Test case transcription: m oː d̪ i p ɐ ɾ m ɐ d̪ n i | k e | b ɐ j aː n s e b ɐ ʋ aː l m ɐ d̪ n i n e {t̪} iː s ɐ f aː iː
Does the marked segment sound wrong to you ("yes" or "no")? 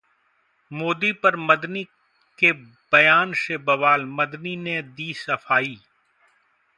yes